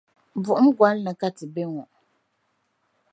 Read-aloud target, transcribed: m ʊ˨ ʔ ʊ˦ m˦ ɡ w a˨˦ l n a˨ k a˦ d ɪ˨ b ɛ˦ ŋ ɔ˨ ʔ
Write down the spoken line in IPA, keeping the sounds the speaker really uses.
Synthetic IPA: b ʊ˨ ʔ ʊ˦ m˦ ɡ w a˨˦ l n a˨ k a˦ t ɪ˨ b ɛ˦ ŋ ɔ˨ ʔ

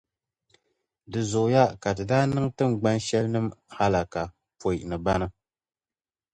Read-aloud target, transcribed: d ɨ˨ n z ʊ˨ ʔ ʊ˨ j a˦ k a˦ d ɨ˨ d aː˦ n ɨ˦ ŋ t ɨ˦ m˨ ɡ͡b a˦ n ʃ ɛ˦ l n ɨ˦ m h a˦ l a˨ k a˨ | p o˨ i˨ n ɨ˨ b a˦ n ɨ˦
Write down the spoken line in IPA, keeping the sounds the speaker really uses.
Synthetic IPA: d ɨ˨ z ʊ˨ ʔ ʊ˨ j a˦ k a˨ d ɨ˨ d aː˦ n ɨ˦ ŋ t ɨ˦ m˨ ɡ͡b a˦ n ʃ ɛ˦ l n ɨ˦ m h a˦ l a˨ k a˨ | p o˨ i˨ n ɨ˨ b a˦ n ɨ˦

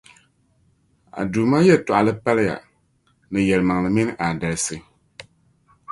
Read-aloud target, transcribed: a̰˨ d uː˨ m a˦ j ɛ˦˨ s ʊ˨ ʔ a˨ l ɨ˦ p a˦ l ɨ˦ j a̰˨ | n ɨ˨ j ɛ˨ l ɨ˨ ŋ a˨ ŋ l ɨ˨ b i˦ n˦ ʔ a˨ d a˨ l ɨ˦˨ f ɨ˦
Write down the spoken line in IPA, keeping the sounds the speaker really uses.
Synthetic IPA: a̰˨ d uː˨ m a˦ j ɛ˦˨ t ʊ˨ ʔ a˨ l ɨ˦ p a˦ l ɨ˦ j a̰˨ | n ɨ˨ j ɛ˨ l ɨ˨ m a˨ ŋ l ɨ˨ m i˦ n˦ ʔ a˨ d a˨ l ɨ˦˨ s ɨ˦

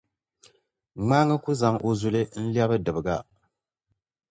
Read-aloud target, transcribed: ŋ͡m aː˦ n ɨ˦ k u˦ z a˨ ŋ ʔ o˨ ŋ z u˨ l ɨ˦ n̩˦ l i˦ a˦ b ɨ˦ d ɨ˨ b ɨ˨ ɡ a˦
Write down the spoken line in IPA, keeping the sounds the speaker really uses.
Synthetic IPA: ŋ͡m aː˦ ŋ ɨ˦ k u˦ z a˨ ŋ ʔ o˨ z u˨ l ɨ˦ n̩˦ l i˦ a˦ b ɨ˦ d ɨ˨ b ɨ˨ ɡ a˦

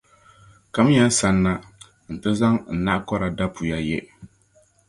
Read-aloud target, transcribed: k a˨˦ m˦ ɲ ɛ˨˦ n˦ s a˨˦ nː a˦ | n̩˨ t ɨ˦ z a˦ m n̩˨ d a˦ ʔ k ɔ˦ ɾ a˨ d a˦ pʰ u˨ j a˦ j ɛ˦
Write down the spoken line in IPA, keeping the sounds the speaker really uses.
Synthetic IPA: k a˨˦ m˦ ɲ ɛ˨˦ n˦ s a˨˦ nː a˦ | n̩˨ t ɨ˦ z a˦ ŋ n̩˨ n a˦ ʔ k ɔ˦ ɾ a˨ d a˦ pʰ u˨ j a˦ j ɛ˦

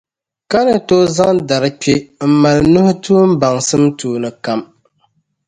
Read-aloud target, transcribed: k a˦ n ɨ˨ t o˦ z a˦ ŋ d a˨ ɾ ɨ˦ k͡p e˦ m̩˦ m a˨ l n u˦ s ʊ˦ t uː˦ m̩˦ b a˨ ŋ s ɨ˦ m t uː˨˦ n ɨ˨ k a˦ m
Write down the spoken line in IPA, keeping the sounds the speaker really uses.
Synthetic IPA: k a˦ n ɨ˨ t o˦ z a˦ ŋ d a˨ ɾ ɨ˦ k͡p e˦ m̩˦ m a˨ l n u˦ h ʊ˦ t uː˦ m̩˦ b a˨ ŋ s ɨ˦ m t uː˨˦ n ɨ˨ k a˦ m

